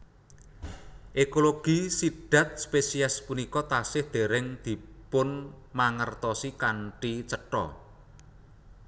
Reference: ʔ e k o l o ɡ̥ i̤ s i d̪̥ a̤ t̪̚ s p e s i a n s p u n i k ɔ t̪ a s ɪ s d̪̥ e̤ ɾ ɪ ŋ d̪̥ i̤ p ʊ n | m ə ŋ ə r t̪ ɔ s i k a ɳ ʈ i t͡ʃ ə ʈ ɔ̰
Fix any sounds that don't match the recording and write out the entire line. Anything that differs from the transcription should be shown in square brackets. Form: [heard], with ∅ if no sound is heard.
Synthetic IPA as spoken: ʔ e k o l o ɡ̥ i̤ s i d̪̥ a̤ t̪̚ s p e s i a [∅] s p u n i k ɔ t̪ a s ɪ [h] d̪̥ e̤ ɾ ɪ ŋ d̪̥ i̤ p ʊ n | m [a] ŋ ə r t̪ ɔ s i k a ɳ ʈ i t͡ʃ ə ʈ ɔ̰